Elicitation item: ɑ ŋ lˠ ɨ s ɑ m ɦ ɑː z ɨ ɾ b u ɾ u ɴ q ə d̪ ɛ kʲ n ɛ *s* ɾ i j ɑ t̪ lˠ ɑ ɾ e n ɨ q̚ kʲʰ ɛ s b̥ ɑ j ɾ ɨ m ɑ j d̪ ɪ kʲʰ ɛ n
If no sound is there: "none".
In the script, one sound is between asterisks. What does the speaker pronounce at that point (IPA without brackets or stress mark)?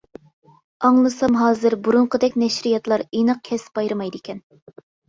ʃ